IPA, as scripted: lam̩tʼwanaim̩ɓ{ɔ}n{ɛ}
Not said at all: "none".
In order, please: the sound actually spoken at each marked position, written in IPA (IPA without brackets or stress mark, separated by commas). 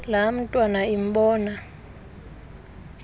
ɔː, a